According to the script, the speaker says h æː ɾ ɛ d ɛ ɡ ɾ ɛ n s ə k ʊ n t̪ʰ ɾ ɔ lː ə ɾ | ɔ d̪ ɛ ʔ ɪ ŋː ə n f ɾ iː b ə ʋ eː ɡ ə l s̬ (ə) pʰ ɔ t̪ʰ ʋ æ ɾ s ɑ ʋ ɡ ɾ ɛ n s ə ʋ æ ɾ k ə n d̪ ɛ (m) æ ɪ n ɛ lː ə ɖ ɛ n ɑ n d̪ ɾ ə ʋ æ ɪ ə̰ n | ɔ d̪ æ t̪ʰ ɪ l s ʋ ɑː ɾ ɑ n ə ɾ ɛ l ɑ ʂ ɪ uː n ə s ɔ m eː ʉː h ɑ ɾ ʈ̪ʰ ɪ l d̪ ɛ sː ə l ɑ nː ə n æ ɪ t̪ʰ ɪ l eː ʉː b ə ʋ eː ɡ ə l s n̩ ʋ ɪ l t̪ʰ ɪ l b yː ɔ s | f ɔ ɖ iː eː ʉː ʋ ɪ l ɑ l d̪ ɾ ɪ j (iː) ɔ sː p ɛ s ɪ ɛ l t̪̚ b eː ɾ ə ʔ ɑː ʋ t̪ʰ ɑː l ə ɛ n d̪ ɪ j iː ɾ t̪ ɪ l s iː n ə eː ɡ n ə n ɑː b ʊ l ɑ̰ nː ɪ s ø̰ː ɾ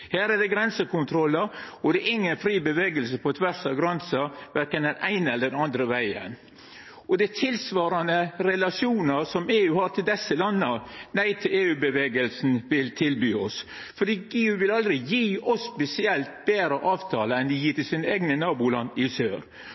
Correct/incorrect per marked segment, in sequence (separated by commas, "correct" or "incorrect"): correct, incorrect, correct